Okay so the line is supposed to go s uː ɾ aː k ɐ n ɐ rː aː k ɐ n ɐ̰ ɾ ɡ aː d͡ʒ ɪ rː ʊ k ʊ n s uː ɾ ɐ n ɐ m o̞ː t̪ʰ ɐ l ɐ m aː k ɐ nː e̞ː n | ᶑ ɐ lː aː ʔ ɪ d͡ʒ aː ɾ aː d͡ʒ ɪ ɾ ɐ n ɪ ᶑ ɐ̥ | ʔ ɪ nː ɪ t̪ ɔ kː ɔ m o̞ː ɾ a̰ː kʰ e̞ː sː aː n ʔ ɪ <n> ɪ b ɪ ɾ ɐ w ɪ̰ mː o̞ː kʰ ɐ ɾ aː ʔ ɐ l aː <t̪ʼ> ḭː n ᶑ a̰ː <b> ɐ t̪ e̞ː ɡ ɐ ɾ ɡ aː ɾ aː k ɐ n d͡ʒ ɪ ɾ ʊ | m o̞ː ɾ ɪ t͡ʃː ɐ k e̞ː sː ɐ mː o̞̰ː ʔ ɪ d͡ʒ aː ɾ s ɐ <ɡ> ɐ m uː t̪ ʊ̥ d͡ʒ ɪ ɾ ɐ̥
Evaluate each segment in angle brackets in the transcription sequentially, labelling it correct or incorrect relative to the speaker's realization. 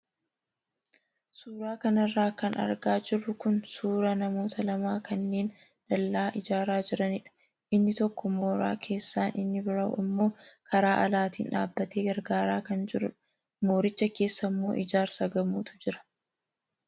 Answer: incorrect: nː, incorrect: t̪, incorrect: bː, correct

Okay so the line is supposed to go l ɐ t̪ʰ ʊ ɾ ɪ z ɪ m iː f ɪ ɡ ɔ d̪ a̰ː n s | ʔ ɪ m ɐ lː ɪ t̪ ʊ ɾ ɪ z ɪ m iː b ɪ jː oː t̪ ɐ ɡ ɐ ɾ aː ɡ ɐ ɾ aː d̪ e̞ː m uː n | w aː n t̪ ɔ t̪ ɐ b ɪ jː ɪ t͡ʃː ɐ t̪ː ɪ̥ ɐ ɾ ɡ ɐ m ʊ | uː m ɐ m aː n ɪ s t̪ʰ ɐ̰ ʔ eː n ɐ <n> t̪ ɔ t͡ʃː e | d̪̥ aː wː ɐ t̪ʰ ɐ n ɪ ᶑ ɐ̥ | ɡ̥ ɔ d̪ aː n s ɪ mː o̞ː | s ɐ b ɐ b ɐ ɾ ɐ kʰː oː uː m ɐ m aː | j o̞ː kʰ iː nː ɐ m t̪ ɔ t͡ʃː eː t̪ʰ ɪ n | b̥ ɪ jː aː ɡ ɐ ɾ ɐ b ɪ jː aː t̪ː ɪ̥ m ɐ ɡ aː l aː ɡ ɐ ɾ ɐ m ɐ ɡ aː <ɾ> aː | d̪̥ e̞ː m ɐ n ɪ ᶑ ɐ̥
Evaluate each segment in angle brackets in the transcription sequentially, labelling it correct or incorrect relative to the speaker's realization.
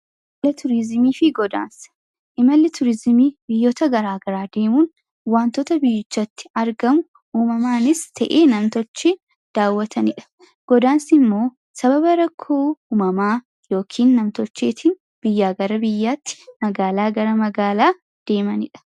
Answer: incorrect: m, incorrect: l

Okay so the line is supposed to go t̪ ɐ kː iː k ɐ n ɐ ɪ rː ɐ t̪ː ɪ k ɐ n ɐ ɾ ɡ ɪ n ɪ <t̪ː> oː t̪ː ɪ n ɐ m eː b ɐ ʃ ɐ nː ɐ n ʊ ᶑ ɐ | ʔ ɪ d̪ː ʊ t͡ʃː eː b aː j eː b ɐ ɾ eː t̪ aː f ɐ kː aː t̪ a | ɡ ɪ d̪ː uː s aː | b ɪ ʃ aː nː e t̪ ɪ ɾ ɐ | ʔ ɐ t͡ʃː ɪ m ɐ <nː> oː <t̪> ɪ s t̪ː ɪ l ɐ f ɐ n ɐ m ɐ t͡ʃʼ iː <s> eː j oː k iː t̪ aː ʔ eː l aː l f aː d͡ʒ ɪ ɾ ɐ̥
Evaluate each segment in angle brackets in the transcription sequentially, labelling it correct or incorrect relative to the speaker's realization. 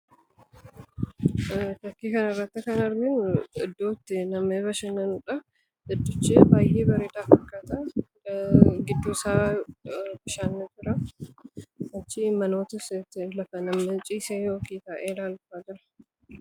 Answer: incorrect: d̪ː, incorrect: n, correct, correct

